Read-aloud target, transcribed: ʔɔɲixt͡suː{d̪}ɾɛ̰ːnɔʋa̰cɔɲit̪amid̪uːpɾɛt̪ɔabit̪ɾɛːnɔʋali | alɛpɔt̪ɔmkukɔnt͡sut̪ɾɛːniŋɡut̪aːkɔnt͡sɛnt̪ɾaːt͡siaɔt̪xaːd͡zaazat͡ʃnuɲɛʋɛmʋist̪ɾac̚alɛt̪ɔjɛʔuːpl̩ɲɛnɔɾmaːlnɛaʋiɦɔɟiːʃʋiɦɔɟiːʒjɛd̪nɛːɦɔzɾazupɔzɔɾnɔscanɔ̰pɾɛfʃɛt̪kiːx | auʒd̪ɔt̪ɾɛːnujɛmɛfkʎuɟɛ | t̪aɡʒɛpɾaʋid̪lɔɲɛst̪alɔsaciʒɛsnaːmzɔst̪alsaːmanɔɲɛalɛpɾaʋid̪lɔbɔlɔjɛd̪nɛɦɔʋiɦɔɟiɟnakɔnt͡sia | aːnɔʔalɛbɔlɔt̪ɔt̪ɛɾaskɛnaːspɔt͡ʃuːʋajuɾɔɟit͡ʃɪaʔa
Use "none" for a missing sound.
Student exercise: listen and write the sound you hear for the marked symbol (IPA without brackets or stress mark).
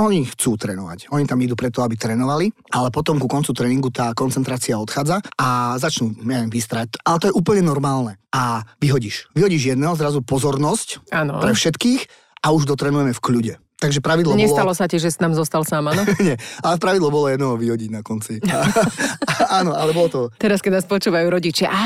t̪